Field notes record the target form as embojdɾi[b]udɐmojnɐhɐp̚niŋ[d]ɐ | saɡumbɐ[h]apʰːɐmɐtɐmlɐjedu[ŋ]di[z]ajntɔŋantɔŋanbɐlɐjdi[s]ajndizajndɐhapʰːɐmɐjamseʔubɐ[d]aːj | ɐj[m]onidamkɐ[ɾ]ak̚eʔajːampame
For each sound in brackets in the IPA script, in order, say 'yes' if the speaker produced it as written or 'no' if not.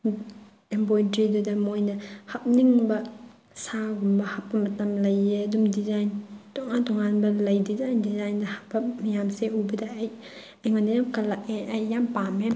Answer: no, no, yes, no, yes, no, yes, no, no

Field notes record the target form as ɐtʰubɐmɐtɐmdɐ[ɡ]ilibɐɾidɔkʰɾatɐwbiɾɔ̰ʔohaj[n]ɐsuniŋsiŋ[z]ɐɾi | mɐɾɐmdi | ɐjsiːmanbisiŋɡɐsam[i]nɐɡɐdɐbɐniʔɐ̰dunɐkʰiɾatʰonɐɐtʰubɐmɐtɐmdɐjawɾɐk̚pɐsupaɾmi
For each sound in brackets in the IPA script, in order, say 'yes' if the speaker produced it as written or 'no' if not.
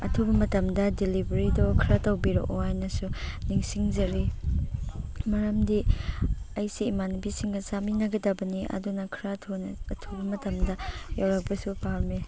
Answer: no, yes, yes, yes

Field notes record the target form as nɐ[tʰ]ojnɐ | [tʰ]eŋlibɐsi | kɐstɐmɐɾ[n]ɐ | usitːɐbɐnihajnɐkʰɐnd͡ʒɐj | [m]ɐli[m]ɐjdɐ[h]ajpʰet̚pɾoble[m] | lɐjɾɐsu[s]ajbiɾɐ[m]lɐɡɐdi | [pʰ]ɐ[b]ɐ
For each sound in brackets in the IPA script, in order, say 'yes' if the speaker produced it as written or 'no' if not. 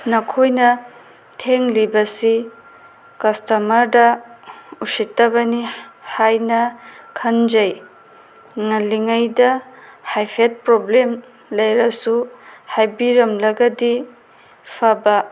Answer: no, yes, no, no, no, yes, yes, no, yes, yes, yes

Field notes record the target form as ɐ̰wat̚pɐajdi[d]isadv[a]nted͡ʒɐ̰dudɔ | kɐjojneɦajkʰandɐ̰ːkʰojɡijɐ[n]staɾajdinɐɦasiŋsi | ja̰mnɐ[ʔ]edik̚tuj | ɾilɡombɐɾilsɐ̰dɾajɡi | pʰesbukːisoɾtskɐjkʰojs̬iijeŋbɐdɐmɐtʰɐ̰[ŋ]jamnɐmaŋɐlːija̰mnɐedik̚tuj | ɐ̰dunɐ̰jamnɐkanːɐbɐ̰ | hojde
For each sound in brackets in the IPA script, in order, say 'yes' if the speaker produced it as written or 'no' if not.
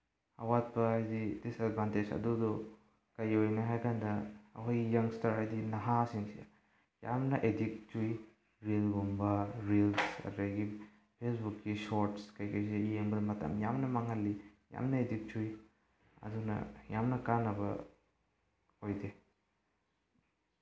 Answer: yes, yes, no, yes, no

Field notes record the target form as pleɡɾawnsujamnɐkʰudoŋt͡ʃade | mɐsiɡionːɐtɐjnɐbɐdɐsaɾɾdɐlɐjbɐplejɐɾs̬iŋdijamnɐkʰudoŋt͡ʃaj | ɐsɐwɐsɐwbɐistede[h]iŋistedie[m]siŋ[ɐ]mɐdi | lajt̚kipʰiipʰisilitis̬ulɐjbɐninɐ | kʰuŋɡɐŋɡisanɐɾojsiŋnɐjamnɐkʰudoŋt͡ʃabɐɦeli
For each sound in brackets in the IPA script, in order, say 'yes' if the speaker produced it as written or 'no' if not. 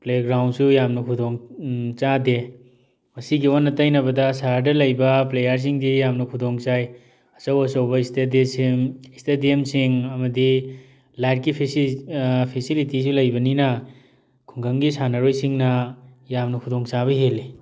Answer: no, yes, yes

